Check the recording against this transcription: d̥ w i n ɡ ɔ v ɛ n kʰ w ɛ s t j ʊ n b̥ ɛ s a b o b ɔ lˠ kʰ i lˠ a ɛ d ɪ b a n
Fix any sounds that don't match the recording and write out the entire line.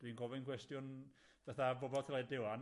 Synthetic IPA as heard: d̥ w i n ɡ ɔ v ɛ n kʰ w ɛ s t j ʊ n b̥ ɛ θ a b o b ɔ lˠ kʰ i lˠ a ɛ d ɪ w a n